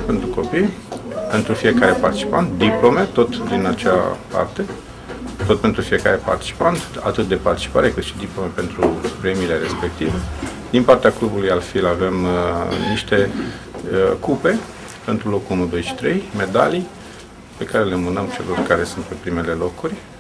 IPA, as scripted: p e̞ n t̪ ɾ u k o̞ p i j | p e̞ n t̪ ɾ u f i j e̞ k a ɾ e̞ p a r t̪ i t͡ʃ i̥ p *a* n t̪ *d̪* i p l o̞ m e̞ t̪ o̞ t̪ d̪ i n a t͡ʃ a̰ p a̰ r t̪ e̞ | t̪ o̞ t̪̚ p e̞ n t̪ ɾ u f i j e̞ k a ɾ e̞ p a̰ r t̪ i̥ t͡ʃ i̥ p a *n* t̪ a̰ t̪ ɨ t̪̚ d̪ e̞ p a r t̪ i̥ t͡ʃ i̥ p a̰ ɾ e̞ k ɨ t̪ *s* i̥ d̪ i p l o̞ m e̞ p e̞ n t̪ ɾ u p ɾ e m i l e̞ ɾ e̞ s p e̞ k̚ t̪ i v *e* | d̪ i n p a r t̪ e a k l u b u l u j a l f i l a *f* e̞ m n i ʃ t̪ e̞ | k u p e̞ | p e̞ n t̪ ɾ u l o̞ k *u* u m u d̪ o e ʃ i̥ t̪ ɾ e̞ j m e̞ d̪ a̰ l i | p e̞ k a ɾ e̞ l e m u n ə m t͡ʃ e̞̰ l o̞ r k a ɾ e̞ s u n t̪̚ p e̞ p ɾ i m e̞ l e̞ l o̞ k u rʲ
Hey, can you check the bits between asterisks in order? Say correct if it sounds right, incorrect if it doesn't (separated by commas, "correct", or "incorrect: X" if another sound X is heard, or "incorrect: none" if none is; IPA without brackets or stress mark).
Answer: correct, correct, correct, incorrect: ʃ, correct, incorrect: v, correct